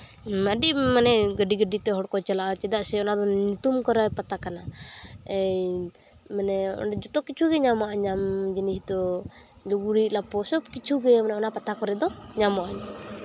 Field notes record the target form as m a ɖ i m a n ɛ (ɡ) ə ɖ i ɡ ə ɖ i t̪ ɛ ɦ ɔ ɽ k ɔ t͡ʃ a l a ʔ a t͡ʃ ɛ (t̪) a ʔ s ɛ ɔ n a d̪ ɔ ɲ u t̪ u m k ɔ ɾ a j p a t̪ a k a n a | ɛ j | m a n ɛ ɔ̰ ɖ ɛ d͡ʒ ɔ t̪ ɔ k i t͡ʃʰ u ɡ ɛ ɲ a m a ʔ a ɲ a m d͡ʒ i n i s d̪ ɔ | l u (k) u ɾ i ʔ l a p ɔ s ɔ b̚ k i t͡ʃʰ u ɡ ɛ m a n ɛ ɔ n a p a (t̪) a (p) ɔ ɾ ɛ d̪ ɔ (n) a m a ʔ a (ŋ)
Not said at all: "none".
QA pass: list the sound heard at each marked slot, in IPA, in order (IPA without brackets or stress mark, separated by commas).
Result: ɡ, d̪, ɡ, t̪, k, ɲ, ɲ